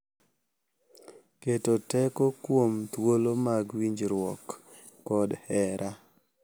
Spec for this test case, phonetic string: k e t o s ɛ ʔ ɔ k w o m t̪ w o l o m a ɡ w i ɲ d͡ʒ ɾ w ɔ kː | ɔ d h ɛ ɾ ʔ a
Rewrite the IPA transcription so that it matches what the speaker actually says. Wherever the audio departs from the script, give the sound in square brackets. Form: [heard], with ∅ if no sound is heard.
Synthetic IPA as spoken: k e t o [t] ɛ [k] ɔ k w o m t̪ w o l o m a ɡ w i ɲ d͡ʒ ɾ w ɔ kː | ɔ d h ɛ ɾ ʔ a